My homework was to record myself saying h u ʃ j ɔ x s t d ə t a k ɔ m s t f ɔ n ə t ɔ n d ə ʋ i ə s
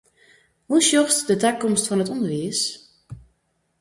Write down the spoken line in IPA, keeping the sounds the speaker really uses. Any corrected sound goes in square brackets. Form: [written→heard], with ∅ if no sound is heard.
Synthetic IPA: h u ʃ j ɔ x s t d ə t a k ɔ m s t f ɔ n ə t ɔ n d ə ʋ i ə s